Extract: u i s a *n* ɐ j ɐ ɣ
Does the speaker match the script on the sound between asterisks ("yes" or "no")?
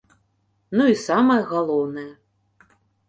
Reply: no